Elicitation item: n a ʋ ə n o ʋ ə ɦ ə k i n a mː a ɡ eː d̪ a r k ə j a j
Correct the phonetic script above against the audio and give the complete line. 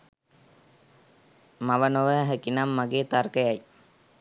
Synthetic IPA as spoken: m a ʋ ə n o ʋ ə ɦ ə k i n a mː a ɡ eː t̪ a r k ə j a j